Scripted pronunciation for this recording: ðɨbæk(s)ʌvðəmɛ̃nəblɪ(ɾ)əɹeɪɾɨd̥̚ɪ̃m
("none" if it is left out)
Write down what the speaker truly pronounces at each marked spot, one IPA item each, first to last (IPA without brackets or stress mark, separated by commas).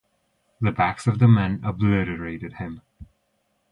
s, ɾ